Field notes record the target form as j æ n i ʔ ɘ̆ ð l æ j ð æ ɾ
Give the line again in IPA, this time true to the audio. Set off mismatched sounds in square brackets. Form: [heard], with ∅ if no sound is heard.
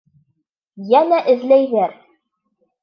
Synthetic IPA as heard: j æ n [æ] ʔ ɘ̆ ð l æ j ð æ ɾ